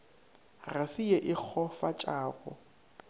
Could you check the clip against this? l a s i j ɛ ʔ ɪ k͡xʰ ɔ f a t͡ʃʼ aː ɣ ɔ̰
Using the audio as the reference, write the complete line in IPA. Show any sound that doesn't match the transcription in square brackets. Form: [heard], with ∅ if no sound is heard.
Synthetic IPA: [r] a s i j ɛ ʔ ɪ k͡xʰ ɔ f a t͡ʃʼ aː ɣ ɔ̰